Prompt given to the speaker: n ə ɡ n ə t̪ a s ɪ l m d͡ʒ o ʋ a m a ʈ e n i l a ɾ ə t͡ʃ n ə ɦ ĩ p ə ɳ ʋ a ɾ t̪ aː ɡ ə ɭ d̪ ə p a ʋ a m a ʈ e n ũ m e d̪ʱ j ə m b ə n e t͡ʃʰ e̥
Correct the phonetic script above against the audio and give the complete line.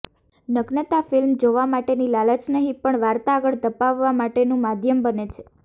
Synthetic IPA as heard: n ə ɡ n ə t̪ a f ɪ l m d͡ʒ o ʋ a m a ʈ e n i l a l ə t͡ʃ n ə ɦ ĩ p ə ɳ ʋ a ɾ t̪ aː ɡ ə ɭ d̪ ə p a ʋː a m a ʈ e n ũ m a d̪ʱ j ə m b ə n e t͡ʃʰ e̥

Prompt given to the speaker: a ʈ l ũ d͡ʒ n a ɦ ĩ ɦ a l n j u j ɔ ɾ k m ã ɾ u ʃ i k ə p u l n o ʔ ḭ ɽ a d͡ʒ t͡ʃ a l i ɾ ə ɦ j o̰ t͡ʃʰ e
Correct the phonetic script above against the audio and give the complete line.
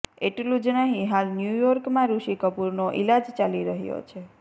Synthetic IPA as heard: e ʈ l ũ d͡ʒ n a ɦ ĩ ɦ a l n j u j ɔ ɾ k m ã ɾ u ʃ i k ə p u ɾ n o ʔ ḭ l a d͡ʒ t͡ʃ a l i ɾ ə ɦ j o̰ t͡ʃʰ e

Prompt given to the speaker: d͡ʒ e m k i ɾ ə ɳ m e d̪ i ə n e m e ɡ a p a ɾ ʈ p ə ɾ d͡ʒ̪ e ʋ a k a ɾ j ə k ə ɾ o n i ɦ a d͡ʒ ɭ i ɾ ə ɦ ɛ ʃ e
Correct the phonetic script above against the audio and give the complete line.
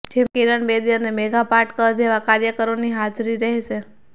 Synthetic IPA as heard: d͡ʒ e m k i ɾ ə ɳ b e d̪ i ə n e m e ɡ a p a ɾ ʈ k ə ɾ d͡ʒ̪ e ʋ a k a ɾ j ə k ə ɾ o n i ɦ a d͡ʒ ɾ i ɾ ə ɦ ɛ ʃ e

